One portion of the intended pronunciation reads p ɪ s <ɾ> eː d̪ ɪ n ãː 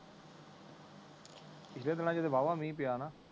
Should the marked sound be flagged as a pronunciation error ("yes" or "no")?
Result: yes